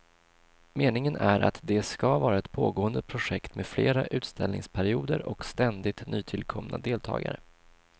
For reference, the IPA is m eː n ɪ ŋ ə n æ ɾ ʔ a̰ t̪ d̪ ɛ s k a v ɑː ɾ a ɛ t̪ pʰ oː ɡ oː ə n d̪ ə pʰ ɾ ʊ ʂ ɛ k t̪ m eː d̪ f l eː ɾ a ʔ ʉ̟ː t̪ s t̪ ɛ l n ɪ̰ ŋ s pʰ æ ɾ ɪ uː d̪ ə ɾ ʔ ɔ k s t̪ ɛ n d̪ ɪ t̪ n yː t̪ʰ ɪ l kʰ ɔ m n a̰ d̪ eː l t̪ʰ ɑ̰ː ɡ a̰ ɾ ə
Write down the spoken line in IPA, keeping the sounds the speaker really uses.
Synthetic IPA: m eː n ɪ ŋ ə n æ ɾ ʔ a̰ t̪ d̪ ɛ s k a v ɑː ɾ a ɛ t̪ pʰ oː ɡ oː ə n d̪ ə pʰ ɾ ʊ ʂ ɛ k t̪ m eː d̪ f l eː ɾ a ʔ ʉ̟ː t̪ s t̪ ɛ l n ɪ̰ ŋ s pʰ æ ɾ ɪ uː d̪ ə ɾ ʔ ɔ k s t̪ ɛ n d̪ ɪ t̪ n yː t̪ʰ ɪ l kʰ ɔ m n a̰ d̪ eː l t̪ʰ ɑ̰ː ɡ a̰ ɾ ə